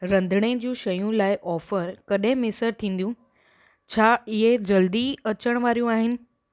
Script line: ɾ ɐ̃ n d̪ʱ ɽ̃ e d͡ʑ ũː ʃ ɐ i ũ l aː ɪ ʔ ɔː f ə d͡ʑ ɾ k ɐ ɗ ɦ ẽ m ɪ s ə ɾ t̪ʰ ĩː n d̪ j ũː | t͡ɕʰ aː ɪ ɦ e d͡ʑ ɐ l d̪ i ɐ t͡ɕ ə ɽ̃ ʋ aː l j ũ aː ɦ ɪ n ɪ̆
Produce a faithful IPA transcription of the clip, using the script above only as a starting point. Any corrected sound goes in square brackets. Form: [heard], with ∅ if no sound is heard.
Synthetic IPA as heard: ɾ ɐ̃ n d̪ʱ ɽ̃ e d͡ʑ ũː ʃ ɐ [j] ũ l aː ɪ ʔ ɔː f ə [∅] ɾ k ɐ ɗ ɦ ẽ m ɪ s ə ɾ t̪ʰ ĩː n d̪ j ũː | t͡ɕʰ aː ɪ ɦ e d͡ʑ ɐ l d̪ i ɐ t͡ɕ ə ɽ̃ ʋ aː [ɾ] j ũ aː ɦ ɪ n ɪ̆

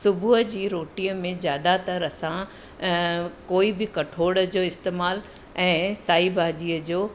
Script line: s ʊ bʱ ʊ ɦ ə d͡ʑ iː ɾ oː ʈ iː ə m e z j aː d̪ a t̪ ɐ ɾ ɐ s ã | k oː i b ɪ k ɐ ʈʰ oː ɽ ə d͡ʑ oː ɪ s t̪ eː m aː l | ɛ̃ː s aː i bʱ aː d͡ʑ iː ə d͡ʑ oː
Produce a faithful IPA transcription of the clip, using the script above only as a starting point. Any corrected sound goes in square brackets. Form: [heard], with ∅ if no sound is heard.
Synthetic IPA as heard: s ʊ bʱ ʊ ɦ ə d͡ʑ iː ɾ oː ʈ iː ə m [ẽ] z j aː d̪ a t̪ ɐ ɾ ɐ s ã | k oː i b ɪ k ɐ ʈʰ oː ɽ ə d͡ʑ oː ɪ s t̪ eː m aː l | ɛ̃ː s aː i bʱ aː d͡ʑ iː ə d͡ʑ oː

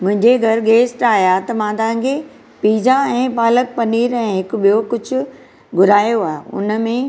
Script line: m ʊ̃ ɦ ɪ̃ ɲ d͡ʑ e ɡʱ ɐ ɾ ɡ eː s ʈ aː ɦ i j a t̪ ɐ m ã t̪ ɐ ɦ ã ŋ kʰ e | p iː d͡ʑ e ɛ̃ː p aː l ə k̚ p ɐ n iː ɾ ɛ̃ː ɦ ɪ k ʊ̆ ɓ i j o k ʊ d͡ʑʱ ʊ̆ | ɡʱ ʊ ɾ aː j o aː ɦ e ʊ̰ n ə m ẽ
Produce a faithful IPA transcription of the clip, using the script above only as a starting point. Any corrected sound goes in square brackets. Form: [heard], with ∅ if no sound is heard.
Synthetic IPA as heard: m ʊ̃ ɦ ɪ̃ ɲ d͡ʑ e ɡʱ ɐ ɾ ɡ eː s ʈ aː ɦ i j a t̪ ɐ m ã t̪ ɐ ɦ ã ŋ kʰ e | p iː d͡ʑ [a] ɛ̃ː p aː l ə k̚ p ɐ n iː ɾ ɛ̃ː ɦ ɪ k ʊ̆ ɓ i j o k ʊ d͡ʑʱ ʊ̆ | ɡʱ ʊ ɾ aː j o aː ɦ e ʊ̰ n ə m ẽ

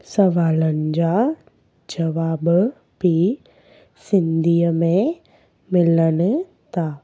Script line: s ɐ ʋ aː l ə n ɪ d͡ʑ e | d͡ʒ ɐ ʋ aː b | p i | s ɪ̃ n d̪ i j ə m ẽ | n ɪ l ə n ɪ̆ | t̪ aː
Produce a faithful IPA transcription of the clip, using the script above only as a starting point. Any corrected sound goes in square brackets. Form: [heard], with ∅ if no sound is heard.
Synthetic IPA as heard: s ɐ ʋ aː l ə n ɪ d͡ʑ [a] | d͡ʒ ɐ ʋ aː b | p i | s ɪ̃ n d̪ i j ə m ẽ | [m] ɪ l ə n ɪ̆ | t̪ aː

